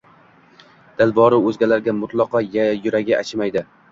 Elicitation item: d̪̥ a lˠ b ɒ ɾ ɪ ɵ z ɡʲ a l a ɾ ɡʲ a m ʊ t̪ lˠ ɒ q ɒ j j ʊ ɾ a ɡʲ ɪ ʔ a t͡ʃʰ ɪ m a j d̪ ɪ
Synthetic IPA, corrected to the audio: d̪̥ a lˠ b ɒ ɾ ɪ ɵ z ɡʲ a l a ɾ ɡʲ a m ʊ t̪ lˠ ɒ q ɒ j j ʊ ɾ a ɡʲ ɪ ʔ a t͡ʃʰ ɪ m a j d̪ ɪ